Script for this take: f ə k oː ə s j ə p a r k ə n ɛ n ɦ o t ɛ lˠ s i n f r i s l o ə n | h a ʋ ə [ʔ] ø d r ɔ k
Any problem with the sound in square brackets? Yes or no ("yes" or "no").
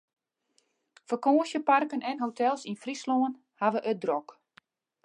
no